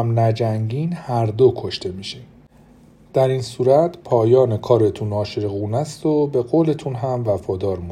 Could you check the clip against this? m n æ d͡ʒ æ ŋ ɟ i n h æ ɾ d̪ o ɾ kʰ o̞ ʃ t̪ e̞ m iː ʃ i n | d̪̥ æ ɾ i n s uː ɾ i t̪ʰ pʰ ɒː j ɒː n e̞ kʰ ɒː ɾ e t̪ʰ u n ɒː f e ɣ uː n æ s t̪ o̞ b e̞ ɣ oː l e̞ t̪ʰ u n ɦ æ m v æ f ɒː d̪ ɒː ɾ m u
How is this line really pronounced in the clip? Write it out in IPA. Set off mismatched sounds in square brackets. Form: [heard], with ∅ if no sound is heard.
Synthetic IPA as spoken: m n æ d͡ʒ æ ŋ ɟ i n h æ ɾ d̪ o [∅] kʰ o̞ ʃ t̪ e̞ m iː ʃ i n | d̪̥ æ ɾ i n s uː ɾ [æ] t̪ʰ pʰ ɒː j ɒː n e̞ kʰ ɒː ɾ e t̪ʰ u n ɒː [ʃ] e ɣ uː n æ s t̪ o̞ b e̞ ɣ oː l e̞ t̪ʰ u n ɦ æ m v æ f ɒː d̪ ɒː ɾ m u